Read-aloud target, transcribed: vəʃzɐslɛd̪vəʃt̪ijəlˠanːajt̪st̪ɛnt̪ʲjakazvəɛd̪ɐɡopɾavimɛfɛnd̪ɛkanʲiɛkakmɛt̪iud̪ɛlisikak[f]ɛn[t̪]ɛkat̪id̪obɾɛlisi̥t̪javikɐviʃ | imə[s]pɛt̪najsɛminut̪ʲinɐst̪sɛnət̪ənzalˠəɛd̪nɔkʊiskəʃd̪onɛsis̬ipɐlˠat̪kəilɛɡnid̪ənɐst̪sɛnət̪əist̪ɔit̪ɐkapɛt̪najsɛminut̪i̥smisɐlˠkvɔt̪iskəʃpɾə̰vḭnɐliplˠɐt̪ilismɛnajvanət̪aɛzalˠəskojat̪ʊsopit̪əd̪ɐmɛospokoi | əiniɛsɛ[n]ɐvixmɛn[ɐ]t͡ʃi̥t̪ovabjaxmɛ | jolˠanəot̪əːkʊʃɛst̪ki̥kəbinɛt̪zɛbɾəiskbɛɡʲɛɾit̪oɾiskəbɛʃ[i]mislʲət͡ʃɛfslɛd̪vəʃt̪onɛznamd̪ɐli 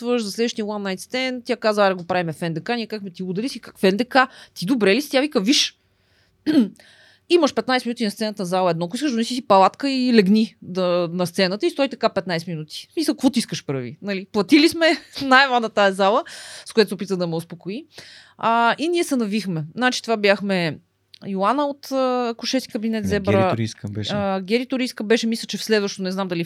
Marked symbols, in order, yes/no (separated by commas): yes, no, no, yes, no, no